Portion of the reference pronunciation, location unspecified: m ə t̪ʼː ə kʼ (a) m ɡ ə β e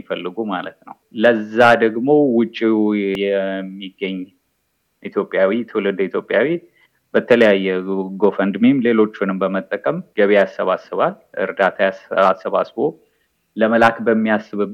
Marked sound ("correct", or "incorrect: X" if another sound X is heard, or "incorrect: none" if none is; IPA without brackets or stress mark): incorrect: ə